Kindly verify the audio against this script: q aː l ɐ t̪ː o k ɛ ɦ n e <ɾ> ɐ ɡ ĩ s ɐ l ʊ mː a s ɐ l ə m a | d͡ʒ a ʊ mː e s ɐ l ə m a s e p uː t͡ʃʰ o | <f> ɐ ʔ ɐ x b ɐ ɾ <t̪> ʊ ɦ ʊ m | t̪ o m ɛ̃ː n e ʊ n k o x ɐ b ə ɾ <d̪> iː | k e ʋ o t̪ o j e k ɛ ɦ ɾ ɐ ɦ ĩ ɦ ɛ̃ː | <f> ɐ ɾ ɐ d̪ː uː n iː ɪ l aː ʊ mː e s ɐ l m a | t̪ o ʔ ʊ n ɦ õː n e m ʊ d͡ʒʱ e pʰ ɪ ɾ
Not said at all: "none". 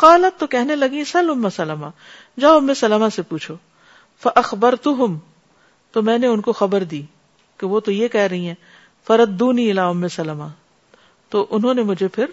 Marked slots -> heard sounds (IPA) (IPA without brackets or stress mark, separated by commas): l, f, t̪, d̪, f